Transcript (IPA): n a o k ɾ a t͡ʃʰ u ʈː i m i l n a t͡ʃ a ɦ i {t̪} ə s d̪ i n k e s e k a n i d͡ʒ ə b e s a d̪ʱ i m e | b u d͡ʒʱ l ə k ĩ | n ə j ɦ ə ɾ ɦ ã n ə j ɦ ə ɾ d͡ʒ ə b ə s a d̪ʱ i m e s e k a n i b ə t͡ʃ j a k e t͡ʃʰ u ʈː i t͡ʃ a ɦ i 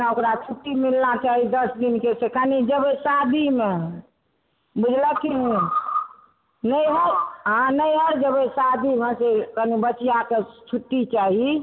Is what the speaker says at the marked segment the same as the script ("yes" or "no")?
no